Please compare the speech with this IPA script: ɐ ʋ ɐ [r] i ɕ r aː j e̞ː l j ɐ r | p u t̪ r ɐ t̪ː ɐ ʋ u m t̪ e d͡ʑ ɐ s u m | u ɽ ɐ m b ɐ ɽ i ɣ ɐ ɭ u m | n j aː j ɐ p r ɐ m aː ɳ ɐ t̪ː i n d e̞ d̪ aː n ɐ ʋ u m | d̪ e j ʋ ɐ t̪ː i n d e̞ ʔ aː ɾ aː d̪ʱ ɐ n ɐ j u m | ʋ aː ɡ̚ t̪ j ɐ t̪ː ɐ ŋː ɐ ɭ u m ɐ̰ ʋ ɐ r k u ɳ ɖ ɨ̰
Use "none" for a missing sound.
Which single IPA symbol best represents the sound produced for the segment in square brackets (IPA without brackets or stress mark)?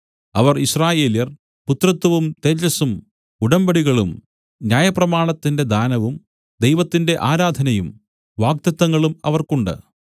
r